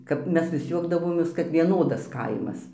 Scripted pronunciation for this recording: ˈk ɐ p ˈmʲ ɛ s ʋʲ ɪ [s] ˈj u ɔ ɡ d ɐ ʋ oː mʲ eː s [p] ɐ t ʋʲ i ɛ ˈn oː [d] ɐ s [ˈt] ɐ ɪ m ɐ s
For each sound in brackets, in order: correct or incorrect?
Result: correct, incorrect: k, correct, incorrect: k

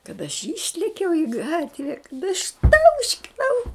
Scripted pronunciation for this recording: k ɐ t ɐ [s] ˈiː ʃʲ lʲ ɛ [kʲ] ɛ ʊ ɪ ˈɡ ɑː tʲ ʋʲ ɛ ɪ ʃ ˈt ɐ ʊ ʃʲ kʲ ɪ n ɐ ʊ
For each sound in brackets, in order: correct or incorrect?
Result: incorrect: ʃ, correct

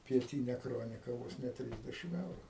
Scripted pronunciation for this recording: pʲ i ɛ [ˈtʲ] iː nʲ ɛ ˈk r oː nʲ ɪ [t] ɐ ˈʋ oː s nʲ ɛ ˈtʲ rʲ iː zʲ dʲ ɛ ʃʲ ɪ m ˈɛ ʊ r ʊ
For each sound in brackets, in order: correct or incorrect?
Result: correct, incorrect: k

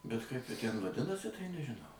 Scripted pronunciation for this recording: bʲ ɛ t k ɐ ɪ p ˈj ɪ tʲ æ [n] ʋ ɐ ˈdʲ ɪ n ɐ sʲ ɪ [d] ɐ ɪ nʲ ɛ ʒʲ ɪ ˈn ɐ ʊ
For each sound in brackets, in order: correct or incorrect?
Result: correct, incorrect: t

